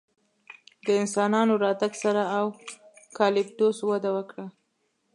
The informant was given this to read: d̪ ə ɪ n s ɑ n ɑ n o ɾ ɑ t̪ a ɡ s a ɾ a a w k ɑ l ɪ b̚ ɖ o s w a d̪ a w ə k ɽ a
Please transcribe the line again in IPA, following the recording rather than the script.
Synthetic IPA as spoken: d̪ ə ɪ n s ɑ n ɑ n o ɾ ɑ t̪ a ɡ s a ɾ a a w k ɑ l ɪ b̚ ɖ o s w a d̪ a w ə k ɽ a